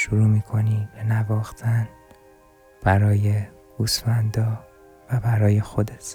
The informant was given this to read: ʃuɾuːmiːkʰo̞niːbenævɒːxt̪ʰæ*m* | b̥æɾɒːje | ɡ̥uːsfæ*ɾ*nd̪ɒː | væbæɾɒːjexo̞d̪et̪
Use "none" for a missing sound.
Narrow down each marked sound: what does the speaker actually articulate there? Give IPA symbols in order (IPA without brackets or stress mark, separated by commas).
n, none